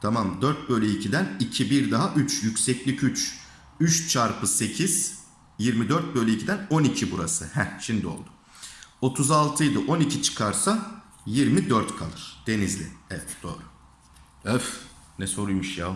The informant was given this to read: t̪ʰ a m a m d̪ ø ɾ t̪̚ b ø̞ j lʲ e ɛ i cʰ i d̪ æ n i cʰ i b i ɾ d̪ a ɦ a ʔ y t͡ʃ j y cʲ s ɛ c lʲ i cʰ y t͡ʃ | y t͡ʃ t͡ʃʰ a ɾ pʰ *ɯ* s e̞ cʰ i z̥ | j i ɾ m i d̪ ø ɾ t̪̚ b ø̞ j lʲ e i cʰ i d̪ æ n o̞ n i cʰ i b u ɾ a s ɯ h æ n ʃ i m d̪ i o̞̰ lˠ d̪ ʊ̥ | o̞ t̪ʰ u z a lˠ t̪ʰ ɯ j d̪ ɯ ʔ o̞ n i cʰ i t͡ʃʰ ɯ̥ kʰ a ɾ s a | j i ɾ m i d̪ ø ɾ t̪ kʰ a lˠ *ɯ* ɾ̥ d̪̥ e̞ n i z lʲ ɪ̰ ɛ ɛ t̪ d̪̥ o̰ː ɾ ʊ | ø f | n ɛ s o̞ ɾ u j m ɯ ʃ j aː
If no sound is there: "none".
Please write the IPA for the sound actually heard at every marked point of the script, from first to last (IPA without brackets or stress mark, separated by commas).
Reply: ɯ, ɯ